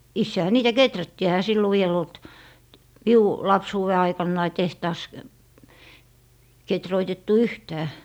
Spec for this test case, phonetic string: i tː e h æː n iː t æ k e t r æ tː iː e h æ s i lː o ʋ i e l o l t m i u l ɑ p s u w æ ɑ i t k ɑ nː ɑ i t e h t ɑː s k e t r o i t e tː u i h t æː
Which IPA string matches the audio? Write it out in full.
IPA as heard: i sː e h æ n iː t æ k e t r æ tː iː e h æ s i lː o ʋ i e l o l t m i u l ɑ p s uː w e ɑ i k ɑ nː ɑ i t e h t ɑː s k e t r o i t e tː u y h t æː

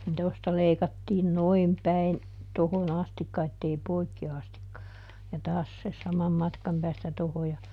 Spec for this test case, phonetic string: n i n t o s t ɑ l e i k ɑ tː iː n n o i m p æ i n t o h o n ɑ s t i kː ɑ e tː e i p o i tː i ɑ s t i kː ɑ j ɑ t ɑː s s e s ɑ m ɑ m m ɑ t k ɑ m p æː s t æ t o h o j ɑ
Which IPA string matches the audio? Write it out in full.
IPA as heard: n i n t o s t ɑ l e i k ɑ tː iː n n o i m p æ i n t o h o n ɑ s t i kː ɑ e tː e i p o i kː i ɑ s t i kː ɑ j ɑ t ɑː s s e s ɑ m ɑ m m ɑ t k ɑ m p æː s t æ t o h o j ɑ

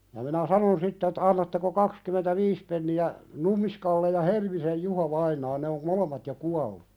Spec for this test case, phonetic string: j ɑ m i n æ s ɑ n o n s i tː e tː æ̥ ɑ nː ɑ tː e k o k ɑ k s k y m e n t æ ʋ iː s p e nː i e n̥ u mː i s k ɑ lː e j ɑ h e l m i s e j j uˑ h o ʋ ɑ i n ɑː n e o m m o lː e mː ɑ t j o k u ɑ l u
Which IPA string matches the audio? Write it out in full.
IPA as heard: j ɑ m i n æ s ɑ n o n s i tː e tː æ̥ ɑ nː ɑ tː e k o k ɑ k s k y m e n t æ ʋ iː s p e nː i æ n̥ u mː i s k ɑ lː e j ɑ h e l m i s e j j uˑ h o ʋ ɑ i n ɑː n e o m m o l e mː ɑ t j o k u ɑ lː u

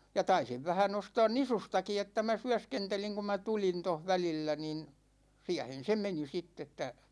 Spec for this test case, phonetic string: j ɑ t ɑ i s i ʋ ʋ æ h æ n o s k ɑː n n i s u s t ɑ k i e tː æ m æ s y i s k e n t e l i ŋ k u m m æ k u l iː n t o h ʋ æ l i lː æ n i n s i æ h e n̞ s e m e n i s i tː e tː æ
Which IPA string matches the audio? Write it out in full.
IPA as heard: j ɑ t ɑ i s i ʋ ʋ æ h æ n o s t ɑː n n i s u s t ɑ k i e tː æ m æ s y æ s k e n t e l i ŋ k u m m æ t u l i n t o h ʋ æ l i lː æ n i n s i æ h e n̞ s e m e n i s i tː e tː æ

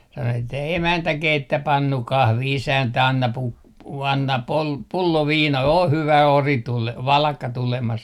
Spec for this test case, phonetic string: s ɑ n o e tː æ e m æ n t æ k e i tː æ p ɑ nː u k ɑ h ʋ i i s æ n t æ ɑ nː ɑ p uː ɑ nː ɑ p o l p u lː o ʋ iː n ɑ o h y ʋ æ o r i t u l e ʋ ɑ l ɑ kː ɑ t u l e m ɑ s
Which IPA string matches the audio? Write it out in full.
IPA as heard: s ɑ n o e tː æ e m æ n t æ k e i tː æ p ɑ nː u k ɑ h ʋ i i s æ n t æ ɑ nː ɑ p u ɑ nː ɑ p o l p u lː o ʋ iː n ɑ o h y ʋ æ o r i t u l e ʋ ɑ l ɑ kː ɑ t u l e m ɑ s

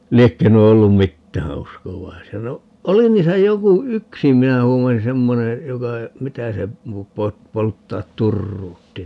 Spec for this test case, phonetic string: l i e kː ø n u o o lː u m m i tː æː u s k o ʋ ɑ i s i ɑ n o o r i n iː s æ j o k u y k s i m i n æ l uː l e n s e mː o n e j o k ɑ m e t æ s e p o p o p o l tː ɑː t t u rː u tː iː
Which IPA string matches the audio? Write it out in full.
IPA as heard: l i e kː ø n u o o lː u m m i tː æː u s k o ʋ ɑ i s i ɑ n o o l i n iː s æ j o k u y k s i m i n æ l uː l e n s e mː o n e j o k ɑ m i t æ s e p o p o p o l tː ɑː t t u rː uː tː i

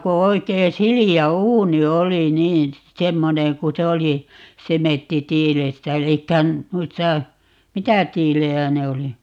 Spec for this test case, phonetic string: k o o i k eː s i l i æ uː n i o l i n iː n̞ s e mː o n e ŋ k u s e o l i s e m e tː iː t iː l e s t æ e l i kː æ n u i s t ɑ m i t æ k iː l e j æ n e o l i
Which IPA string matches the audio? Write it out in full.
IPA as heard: k o o i k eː s i l i æ uː n i o l i n iː n̞ s e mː o n e ŋ k u s e o l i s e m e tː i t iː l e s t æ e l i kː æ n u i s t ɑ m i t æ t iː l e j æ n e o l i

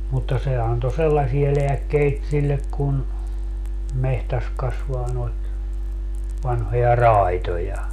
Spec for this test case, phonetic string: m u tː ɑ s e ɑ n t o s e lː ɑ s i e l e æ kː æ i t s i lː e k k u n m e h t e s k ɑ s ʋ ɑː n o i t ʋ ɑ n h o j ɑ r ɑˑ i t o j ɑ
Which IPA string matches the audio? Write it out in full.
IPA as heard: m u tː ɑ s e ɑ n t o s e lː ɑ s i e l e æ kː e i t s i lː e k k u n m e h t æ s k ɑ s ʋ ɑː n o i t ʋ ɑ n h o j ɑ r ɑˑ i t o j ɑ

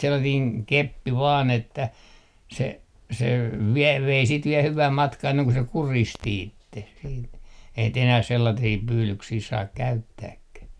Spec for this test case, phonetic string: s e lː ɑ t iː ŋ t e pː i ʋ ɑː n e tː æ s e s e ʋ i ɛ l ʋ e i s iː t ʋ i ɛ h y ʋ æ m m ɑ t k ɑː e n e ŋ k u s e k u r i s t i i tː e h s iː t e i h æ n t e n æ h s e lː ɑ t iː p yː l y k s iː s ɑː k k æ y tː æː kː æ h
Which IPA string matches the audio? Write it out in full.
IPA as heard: s e lː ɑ t iː ŋ k e pː i ʋ ɑː n e tː æ s e s e ʋ i ɛ l ʋ e i s iː t ʋ i ɛ h y ʋ æ m m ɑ t k ɑː e nː e ŋ k u s e k u r i s t i i tː e h s iː t e i h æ n t e n æ h s e lː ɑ t iː p yː l y k s iː s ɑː k k æ y tː æː kː æ h

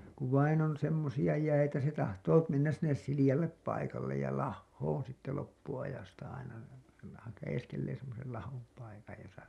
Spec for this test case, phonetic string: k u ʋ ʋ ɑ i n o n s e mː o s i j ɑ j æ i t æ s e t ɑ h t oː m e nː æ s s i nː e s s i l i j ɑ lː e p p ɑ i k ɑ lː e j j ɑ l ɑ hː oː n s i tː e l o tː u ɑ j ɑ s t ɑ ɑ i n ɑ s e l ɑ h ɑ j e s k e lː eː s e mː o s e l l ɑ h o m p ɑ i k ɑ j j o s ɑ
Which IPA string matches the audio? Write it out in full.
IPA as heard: k u ʋ ʋ ɑ i n o n s e mː o s i j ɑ j æ i t æ s e t ɑ h t oː m e nː æ s s i nː e s s i l i j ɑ lː e p p ɑ i k ɑ lː e j j ɑ l ɑ hː oː n s i tː e l o pː u ɑ j ɑ s t ɑ ɑ i n ɑ s e l ɑ h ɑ j e s k e lː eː s e mː o s e l l ɑ h o m p ɑ i k ɑ j j o s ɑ

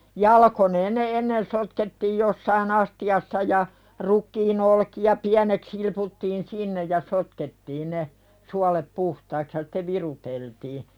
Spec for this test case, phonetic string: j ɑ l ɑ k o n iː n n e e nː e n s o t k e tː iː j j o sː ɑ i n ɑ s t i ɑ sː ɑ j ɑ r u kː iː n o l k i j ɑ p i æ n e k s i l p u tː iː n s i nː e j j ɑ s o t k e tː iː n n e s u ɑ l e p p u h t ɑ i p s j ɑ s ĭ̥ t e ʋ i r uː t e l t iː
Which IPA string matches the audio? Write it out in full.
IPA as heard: j ɑ l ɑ k o n eː n n e e nː e n s o t k e tː iː j j o sː ɑ i n ɑ s t i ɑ sː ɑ j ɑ r u kː iː n o l k i j ɑ p i æ n e k s i l p u tː iː n s i nː e j j ɑ s o t k e tː iː n n e s u ɑ l e p p u h t ɑ i k s j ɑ s ĭ̥ t e ʋ i r u t e l t iː

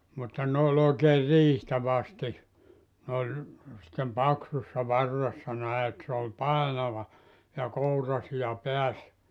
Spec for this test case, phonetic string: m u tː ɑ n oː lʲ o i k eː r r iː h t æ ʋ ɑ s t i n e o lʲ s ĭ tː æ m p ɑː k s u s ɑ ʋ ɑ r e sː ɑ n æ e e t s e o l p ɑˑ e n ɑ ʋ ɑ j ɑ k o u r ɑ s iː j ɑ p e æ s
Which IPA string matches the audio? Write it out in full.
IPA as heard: m u tː ɑ n oː lʲ o i k eː r r iː h t æ ʋ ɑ s t i n e o lʲ s ĭ tː e m p ɑ k s u sː ɑ ʋ ɑ rː e sː ɑ n æ e e t s e o l p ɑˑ e n ɑ ʋ ɑ j ɑ k o u r ɑ s i j ɑ p e æ s

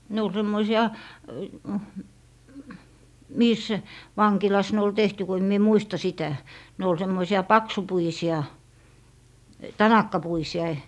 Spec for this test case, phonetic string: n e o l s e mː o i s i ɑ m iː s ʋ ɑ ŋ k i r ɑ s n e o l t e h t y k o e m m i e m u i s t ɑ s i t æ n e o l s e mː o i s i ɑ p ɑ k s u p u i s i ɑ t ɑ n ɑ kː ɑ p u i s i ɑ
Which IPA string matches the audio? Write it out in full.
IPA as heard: n e o l s e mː o i s i ɑ m iː s ʋ ɑ ŋ k i l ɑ s n e o l t e h t y k o e m m i e m u i s t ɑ s i t æ n e o l s e mː o i s i ɑ p ɑ k s u p u i s i ɑ t ɑ n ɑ kː ɑ p u i s i ɑ

